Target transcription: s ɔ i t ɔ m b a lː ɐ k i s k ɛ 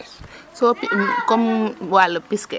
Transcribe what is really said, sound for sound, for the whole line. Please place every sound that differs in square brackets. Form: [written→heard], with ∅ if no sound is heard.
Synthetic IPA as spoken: s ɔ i [t→k] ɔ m [b→w] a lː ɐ [k→p] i s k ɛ